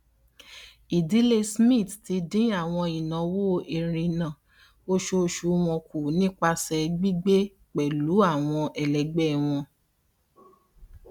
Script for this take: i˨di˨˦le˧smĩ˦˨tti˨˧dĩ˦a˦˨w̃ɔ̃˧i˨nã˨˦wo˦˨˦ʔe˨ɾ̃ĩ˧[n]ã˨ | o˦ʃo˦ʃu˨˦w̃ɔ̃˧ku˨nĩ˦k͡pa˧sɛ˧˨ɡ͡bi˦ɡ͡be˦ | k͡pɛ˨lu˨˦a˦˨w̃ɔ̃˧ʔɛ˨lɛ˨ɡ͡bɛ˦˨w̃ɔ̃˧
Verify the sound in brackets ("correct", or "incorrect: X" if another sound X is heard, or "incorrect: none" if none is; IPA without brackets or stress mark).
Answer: correct